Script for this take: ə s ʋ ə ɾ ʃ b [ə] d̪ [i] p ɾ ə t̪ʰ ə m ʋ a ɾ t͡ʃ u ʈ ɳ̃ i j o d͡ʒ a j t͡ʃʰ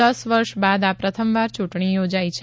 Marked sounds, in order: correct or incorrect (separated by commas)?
incorrect, incorrect